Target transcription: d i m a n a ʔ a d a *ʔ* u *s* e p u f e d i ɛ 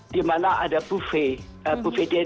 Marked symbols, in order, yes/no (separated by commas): no, no